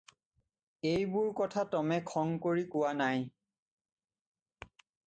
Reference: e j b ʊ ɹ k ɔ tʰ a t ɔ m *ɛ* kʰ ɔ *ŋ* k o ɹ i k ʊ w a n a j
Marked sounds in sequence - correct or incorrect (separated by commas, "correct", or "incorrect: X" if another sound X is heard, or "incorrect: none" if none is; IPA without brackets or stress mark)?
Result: correct, correct